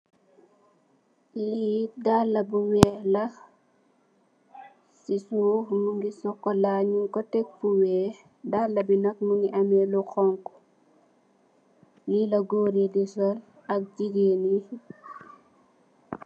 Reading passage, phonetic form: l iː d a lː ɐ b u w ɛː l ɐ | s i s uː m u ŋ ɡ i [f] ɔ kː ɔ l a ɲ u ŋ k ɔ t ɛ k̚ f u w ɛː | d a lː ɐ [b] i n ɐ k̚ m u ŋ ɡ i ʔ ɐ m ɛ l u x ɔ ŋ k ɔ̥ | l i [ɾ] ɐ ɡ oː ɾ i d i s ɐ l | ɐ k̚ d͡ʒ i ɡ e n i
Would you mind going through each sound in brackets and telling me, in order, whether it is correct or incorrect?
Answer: incorrect: s, correct, incorrect: l

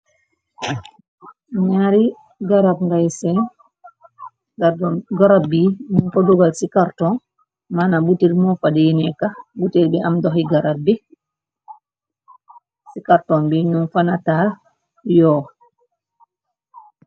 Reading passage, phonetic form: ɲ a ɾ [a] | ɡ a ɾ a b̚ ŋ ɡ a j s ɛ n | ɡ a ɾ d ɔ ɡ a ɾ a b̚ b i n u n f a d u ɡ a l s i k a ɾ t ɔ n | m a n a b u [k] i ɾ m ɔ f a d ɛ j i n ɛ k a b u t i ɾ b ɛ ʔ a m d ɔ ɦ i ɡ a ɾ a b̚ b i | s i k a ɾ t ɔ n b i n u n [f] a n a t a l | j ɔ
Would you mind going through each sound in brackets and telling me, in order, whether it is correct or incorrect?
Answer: incorrect: i, incorrect: t, correct

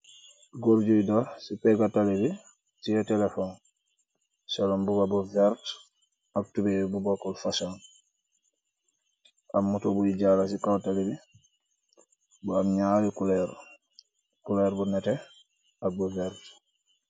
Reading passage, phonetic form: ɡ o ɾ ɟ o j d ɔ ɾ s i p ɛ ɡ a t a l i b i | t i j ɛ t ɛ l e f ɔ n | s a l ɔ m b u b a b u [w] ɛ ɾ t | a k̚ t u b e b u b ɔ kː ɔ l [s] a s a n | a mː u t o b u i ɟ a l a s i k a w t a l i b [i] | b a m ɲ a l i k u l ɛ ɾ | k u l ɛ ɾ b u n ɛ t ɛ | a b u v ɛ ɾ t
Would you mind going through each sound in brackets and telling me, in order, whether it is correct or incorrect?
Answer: incorrect: v, incorrect: f, correct

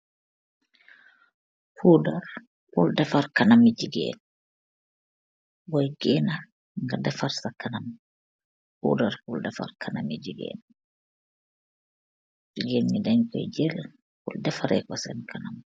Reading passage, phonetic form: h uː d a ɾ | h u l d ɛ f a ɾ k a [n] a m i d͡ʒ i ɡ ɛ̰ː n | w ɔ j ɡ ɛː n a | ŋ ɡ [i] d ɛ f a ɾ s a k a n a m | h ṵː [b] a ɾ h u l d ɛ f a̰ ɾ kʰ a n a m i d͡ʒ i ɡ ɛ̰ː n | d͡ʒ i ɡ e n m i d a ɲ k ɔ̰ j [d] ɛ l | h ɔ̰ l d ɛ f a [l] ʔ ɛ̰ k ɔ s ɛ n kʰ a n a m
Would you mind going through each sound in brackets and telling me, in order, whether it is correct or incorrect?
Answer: correct, incorrect: a, incorrect: d, incorrect: d͡ʒ, incorrect: ɾ

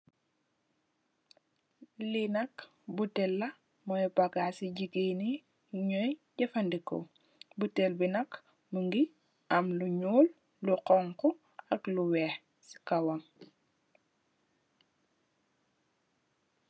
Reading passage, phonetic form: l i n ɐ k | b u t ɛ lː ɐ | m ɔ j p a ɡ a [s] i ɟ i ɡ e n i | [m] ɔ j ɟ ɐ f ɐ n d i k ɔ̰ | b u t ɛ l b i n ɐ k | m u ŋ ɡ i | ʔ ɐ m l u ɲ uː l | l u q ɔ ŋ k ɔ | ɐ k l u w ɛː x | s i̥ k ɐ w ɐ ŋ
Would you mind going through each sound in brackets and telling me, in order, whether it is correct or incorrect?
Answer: correct, incorrect: ɲ

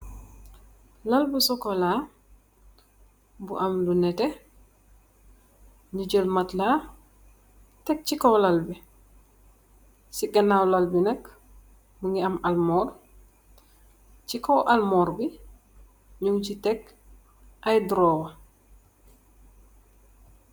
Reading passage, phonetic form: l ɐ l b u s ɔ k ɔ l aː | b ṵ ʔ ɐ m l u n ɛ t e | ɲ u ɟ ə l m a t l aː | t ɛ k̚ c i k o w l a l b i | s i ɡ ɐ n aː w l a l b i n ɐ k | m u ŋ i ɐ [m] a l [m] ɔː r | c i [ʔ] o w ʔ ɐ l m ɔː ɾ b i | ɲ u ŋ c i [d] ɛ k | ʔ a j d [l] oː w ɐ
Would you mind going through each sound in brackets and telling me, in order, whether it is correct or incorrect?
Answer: correct, correct, incorrect: k, incorrect: t, incorrect: ɾ

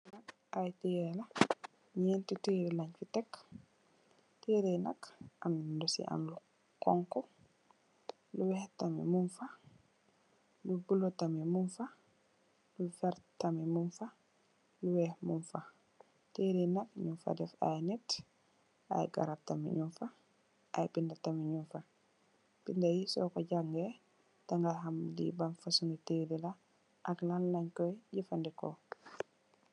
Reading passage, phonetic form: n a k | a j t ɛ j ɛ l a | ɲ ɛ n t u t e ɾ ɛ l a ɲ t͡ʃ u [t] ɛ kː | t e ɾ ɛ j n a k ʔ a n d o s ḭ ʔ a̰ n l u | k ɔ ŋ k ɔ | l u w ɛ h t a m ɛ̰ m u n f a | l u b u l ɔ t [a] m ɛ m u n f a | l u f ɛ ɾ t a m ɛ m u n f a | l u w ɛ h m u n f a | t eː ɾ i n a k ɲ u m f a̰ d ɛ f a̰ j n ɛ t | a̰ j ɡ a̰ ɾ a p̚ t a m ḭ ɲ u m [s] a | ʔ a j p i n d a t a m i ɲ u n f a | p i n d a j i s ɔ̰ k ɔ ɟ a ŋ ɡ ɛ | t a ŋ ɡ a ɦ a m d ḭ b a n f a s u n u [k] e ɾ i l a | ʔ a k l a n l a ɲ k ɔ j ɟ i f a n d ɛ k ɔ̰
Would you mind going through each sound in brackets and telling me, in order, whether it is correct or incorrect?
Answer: correct, correct, incorrect: f, incorrect: t

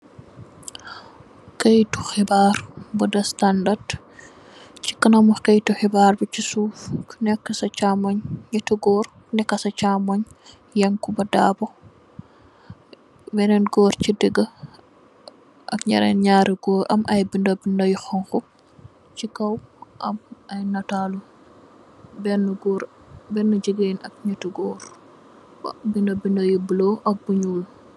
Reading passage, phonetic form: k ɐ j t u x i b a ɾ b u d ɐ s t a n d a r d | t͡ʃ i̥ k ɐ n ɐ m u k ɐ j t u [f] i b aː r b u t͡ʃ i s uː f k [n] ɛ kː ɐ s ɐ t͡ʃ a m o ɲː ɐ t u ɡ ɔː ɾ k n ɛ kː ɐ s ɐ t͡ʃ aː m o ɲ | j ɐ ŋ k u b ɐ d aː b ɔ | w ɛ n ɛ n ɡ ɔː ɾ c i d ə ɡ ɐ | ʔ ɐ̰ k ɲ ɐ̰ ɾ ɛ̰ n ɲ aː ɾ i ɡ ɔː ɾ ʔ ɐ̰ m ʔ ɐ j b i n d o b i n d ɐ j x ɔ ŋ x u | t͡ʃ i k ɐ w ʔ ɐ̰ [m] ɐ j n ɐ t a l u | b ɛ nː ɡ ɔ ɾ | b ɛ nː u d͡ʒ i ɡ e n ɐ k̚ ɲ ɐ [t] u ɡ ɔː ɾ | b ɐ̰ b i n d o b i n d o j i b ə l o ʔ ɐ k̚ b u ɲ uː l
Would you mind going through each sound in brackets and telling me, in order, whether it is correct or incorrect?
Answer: incorrect: x, correct, correct, correct

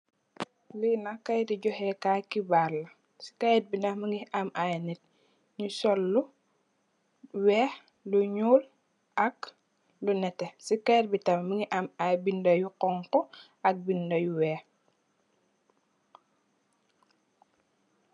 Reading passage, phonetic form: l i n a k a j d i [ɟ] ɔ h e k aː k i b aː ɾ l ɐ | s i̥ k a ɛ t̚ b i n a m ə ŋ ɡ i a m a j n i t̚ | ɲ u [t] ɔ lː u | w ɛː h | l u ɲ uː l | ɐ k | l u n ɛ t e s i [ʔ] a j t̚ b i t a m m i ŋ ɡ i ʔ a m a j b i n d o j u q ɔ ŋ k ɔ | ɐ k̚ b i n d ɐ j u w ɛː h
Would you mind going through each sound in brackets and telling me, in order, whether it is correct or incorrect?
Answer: correct, incorrect: s, incorrect: k

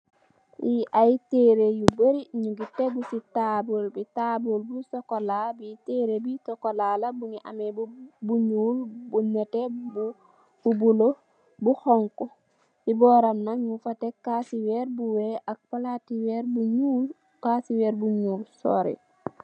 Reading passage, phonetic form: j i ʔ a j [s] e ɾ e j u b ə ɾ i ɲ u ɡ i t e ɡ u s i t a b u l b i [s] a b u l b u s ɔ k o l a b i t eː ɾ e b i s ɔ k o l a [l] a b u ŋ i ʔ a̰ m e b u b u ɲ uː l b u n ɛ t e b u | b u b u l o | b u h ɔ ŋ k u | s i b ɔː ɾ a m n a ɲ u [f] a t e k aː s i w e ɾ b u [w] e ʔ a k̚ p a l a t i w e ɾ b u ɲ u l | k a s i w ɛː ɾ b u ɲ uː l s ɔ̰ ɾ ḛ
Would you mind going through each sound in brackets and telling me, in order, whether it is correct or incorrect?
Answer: incorrect: t, incorrect: t, correct, correct, correct

